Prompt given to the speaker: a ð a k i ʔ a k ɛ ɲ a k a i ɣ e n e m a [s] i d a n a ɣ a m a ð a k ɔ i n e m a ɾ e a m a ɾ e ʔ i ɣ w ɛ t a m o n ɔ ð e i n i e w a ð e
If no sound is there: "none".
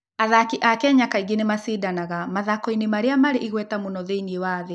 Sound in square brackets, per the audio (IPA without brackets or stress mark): s